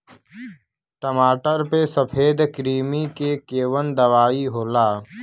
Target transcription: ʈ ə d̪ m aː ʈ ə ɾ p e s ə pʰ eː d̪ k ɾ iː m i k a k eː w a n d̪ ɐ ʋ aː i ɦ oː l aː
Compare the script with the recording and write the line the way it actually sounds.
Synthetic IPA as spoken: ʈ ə m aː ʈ ə ɾ p e s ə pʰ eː d̪ k ɾ iː m i k e k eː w ə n d̪ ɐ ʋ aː i ɦ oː l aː